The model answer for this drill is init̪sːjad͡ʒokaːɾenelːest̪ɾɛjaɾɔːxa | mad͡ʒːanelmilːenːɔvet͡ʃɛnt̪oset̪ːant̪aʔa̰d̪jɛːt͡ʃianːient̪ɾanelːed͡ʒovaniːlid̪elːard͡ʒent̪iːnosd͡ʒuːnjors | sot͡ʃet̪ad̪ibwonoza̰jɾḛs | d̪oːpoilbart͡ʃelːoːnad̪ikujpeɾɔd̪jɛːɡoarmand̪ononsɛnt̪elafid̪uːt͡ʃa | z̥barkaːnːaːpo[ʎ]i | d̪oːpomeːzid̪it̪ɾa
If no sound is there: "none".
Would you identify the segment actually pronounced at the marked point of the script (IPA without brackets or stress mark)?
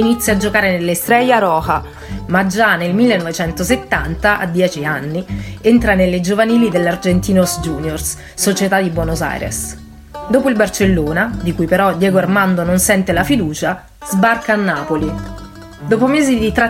l